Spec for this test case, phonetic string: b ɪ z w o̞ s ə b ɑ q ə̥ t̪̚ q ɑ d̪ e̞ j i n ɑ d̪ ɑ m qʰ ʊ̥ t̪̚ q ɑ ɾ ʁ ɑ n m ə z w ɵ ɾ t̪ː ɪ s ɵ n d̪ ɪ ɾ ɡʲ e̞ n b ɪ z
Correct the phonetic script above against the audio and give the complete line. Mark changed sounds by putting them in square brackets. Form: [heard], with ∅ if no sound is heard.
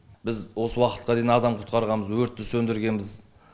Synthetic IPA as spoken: b ɪ z w o̞ s ə [w] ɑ q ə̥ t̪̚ q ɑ d̪ e̞ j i n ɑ d̪ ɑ m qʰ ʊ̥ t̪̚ q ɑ ɾ ʁ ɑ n m ə z w ɵ ɾ t̪ː ɪ s ɵ n d̪ ɪ ɾ ɡʲ e̞ n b ɪ z